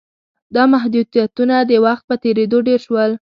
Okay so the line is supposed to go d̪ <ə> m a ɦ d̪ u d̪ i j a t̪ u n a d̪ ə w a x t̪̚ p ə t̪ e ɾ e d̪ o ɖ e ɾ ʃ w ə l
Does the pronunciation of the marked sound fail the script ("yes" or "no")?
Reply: yes